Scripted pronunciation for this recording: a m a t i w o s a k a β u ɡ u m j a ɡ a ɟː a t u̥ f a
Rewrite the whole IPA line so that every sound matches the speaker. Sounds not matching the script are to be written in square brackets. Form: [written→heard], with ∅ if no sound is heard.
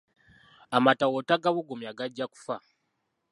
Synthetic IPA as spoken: a m a t [i→a] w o [s→t] a [k→ɡ] a β u ɡ u m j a ɡ a ɟː a [t→k] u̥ f a